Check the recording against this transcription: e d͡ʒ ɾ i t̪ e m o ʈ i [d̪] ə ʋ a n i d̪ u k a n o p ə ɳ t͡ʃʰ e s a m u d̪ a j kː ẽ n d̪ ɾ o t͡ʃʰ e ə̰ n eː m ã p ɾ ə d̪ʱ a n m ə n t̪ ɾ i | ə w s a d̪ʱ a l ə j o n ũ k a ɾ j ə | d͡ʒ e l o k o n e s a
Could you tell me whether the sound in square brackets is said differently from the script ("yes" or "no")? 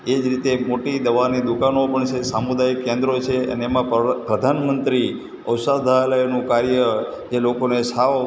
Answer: no